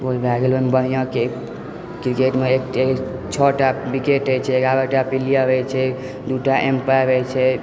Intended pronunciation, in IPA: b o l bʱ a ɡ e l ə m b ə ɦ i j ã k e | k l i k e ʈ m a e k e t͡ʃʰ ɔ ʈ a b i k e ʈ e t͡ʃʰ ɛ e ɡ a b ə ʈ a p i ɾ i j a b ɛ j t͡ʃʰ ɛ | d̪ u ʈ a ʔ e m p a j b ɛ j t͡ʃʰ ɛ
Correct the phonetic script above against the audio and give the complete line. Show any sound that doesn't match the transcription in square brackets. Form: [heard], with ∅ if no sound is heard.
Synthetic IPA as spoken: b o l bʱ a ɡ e l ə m b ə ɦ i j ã k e | k [ɾ] i k e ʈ m [e] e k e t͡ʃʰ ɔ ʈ a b i k e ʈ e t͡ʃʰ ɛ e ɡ a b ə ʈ a p i [l] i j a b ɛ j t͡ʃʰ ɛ | d̪ u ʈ a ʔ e m p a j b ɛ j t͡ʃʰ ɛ

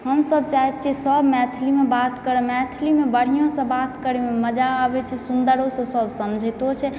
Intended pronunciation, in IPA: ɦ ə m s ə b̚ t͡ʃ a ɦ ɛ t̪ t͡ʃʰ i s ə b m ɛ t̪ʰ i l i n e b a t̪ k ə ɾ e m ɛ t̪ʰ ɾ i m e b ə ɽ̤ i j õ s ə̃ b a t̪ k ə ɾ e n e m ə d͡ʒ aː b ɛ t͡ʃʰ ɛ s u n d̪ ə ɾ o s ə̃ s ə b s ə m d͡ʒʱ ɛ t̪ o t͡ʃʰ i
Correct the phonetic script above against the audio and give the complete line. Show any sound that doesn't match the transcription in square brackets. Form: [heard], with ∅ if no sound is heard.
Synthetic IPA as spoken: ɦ ə m s ə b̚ t͡ʃ a ɦ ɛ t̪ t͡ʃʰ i s ə b m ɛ t̪ʰ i l i [m] e b a t̪ k ə ɾ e m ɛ t̪ʰ [l] i m e b ə ɽ̤ i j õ s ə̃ b a t̪ k ə ɾ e [m] e m ə d͡ʒ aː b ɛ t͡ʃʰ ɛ s u n d̪ ə ɾ o s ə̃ s ə b s ə m d͡ʒʱ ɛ t̪ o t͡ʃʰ [ɛ]

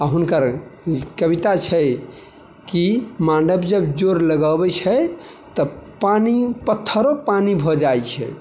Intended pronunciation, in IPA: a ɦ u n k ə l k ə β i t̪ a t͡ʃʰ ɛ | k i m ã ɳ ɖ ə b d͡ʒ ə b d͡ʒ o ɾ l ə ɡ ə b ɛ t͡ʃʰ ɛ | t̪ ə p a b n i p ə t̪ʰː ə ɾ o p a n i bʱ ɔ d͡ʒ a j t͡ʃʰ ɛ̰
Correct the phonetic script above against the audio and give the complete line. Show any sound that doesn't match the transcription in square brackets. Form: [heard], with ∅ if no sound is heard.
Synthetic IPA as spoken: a ɦ u n k ə [ɾ] k ə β i t̪ a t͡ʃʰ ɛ | k i m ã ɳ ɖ ə b d͡ʒ ə b d͡ʒ o ɾ l ə ɡ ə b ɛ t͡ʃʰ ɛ | t̪ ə p a [∅] n i p ə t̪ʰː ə ɾ o p a n i bʱ ɔ d͡ʒ a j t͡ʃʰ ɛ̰

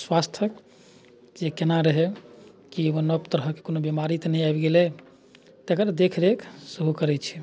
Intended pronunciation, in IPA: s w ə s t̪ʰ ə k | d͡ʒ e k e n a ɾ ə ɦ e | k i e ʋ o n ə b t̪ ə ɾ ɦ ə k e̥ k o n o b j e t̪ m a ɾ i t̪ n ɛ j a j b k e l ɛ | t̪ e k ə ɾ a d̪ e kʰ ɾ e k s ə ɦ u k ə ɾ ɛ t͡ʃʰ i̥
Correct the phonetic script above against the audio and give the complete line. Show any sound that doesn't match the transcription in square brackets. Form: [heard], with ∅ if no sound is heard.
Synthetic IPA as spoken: s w [a] s t̪ʰ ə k | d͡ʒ e k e n a ɾ ə ɦ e | k i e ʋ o n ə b t̪ ə ɾ ɦ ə k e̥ k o n o b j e [∅] m a ɾ i t̪ n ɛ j a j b [ɡ] e l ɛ | t̪ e k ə ɾ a d̪ e kʰ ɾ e k s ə ɦ u k ə ɾ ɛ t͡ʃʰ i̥

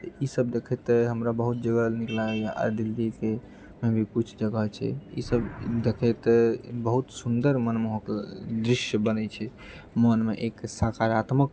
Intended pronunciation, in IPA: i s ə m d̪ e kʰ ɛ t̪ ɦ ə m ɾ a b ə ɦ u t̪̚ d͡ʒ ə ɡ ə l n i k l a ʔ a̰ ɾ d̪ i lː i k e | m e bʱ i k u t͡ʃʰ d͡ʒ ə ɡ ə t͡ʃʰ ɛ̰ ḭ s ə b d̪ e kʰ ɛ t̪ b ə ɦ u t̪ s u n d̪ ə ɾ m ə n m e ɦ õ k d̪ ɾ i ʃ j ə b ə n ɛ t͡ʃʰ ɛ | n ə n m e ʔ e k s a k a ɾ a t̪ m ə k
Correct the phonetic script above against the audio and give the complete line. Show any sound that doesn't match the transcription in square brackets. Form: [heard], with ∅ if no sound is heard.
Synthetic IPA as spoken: i s ə [b] d̪ e kʰ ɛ t̪ ɦ ə m ɾ a b ə ɦ u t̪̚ d͡ʒ ə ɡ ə l n i k l a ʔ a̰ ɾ d̪ i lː i k e | m e bʱ i k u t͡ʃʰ d͡ʒ ə ɡ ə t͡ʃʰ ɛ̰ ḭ s ə b d̪ e kʰ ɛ t̪ b ə ɦ u t̪ s u n d̪ ə ɾ m ə n m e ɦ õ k d̪ ɾ i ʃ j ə b ə n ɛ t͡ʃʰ ɛ | [m] ə n m e ʔ e k s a k a ɾ a t̪ m ə k

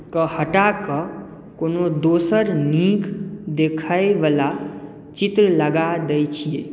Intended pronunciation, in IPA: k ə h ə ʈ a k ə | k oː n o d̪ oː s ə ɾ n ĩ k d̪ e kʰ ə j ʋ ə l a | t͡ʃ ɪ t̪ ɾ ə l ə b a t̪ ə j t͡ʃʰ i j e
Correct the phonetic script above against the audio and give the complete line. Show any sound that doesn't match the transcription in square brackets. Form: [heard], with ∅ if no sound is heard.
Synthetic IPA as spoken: k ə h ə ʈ a k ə | k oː n o d̪ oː s ə ɾ n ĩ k d̪ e kʰ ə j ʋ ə l a | t͡ʃ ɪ t̪ ɾ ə l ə [ɡ] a [d̪] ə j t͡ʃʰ i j e

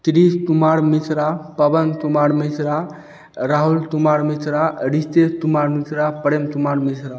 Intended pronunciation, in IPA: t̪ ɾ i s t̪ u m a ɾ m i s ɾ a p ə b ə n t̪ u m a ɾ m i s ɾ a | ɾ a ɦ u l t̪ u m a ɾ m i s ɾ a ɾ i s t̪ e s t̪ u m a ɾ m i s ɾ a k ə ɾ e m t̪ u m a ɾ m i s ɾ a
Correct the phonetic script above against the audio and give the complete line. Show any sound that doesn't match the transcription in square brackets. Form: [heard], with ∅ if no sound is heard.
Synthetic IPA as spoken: t̪ ɾ i s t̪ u m a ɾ m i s ɾ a p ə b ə n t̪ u m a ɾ m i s ɾ a | ɾ a ɦ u l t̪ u m a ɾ m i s ɾ a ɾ i s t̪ e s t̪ u m a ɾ m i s ɾ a [p] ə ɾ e m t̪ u m a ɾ m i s ɾ a

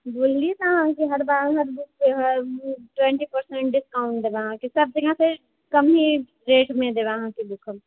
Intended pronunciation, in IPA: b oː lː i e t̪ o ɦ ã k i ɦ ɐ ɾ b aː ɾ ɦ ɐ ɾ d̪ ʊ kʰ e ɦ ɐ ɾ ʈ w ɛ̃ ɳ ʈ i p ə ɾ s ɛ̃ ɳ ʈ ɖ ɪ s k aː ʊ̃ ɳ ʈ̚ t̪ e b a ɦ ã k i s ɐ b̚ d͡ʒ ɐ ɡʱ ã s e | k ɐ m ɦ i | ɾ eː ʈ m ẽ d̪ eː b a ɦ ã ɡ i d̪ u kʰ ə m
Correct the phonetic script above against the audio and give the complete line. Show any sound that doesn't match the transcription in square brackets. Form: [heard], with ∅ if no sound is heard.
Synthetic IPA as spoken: b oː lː i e t̪ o ɦ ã k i ɦ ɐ ɾ b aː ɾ ɦ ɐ ɾ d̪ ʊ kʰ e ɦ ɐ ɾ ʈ w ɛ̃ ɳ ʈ i p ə ɾ s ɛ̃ ɳ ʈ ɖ ɪ s k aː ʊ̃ ɳ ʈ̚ [d̪] e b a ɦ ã k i s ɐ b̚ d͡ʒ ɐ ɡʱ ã s e | k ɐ m ɦ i | ɾ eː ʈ m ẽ d̪ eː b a ɦ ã [k] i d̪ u kʰ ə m

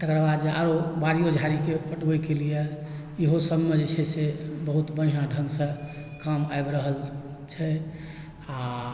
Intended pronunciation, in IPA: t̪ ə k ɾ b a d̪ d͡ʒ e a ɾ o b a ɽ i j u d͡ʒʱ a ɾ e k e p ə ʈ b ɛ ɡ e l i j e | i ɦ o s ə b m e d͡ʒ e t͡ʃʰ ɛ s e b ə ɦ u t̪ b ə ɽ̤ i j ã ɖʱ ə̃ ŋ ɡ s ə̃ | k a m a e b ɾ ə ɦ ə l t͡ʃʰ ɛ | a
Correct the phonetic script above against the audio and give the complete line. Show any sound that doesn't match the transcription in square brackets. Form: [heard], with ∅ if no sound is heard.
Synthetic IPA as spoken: t̪ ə k ɾ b a d̪ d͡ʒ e a ɾ o b a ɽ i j [o] d͡ʒʱ a ɾ [i] k e p ə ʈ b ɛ [k] e l i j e | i ɦ o s ə b m e d͡ʒ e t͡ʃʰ ɛ s e b ə ɦ u t̪ b ə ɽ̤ i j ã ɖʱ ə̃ ŋ ɡ s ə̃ | k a m a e b ɾ ə ɦ ə l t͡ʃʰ ɛ | a

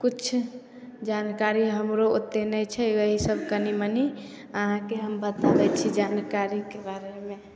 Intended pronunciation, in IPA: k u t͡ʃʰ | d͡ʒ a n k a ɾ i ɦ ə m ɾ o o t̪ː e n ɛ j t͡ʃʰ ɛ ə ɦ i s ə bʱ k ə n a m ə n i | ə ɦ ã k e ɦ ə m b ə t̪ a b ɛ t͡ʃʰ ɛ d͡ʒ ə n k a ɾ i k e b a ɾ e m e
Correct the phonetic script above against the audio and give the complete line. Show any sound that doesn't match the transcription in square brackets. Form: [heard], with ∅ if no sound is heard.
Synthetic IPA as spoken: k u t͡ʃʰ | d͡ʒ a n k a ɾ i ɦ ə m ɾ o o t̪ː e n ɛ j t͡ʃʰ ɛ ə ɦ i s ə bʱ k ə n [i] m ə n i | ə ɦ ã k e ɦ ə m b ə t̪ a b ɛ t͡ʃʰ [i] d͡ʒ [a] n k a ɾ i k e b a ɾ e m e

